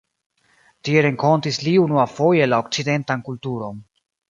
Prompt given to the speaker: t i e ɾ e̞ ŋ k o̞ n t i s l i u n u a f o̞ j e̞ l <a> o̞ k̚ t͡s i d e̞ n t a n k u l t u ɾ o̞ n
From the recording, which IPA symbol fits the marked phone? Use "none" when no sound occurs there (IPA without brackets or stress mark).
a